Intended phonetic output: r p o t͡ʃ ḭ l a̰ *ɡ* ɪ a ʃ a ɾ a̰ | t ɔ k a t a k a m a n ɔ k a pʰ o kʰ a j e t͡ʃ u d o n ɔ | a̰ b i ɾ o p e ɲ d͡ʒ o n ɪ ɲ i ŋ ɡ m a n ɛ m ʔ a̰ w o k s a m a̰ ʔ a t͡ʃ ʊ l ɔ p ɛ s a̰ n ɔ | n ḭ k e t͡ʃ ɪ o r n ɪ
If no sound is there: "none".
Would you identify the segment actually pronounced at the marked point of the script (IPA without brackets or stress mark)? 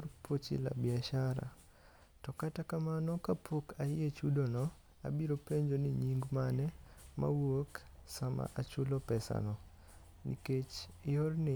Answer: b